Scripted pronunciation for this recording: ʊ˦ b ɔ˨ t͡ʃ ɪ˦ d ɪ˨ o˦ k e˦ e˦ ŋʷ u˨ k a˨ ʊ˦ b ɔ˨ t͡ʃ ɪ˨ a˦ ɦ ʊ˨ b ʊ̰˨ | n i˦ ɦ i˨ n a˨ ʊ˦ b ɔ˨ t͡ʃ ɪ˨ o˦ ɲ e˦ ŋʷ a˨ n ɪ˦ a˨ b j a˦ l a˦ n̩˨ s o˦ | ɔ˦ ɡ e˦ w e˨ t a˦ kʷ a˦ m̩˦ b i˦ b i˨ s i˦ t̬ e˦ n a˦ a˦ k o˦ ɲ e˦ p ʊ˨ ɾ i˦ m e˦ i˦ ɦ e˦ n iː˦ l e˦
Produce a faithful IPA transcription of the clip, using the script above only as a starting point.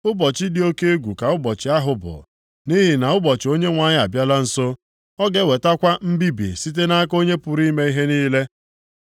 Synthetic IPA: ʊ˦ b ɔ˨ t͡ʃ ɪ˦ d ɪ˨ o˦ k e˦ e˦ ɡʷ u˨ k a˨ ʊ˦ b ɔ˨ t͡ʃ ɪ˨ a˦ ɦ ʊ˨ b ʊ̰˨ | n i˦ ɦ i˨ n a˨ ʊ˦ b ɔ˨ t͡ʃ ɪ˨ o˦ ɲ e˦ ŋʷ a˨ ɲ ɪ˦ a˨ b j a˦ l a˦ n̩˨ s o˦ | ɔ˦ ɡ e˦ w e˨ t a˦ kʷ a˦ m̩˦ b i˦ b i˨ s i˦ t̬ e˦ n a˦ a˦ k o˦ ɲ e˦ p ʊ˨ ɾ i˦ m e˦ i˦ ɦ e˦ n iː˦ l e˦